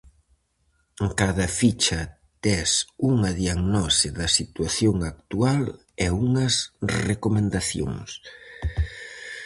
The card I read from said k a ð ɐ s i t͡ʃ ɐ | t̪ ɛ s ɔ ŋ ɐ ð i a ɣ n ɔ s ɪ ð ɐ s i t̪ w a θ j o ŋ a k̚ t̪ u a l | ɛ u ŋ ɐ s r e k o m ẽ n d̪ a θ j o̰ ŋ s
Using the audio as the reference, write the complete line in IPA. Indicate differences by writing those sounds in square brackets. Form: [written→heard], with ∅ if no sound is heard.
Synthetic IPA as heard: k a ð ɐ [s→f] i t͡ʃ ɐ | t̪ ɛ s [ɔ→u] ŋ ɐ ð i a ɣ n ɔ s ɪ ð ɐ s i t̪ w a θ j o ŋ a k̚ t̪ u a l | ɛ u ŋ ɐ s r e k o m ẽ n d̪ a θ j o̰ ŋ s